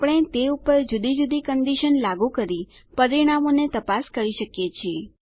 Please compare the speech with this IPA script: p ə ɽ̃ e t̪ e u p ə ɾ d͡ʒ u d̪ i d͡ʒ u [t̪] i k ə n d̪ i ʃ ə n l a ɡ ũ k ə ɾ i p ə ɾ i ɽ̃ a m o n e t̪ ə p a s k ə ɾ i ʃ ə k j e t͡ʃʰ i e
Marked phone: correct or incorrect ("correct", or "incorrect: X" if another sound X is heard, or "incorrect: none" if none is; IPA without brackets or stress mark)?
incorrect: d̪